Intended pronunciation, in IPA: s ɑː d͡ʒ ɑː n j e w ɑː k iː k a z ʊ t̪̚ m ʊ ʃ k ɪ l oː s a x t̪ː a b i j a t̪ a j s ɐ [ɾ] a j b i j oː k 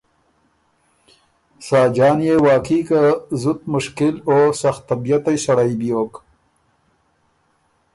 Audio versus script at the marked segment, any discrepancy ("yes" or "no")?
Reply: yes